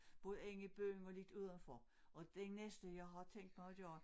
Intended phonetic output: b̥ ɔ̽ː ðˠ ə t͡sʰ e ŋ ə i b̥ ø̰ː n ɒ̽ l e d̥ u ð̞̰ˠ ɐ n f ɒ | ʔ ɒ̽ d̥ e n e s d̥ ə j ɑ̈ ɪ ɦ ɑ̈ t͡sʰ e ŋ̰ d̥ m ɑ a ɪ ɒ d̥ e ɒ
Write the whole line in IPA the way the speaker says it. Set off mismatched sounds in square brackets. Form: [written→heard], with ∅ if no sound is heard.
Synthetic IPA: b̥ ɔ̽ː ðˠ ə [t͡sʰ→∅] e ŋ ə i b̥ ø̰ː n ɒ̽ l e d̥ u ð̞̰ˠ ɐ n f ɒ | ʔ ɒ̽ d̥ e n e s d̥ ə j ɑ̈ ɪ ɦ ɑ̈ t͡sʰ e ŋ̰ d̥ m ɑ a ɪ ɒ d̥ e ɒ